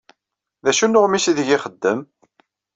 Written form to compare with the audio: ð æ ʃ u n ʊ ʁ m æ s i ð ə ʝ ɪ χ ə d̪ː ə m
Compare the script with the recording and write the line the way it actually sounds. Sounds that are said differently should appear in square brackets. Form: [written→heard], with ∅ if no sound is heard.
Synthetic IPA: ð æ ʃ u n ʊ ʁ m [æ→i] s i ð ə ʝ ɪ χ ə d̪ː ə m